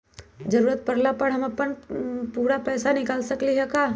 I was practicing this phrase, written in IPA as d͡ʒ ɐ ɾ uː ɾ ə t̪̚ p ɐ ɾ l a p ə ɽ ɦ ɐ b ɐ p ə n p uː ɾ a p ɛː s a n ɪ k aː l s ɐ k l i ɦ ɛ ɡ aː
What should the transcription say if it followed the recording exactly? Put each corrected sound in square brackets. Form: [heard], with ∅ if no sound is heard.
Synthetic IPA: d͡ʒ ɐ ɾ uː ɾ ə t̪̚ p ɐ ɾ l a p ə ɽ ɦ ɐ [m] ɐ p ə n p uː ɾ a p ɛː s a n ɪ k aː l s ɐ k l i ɦ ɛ [k] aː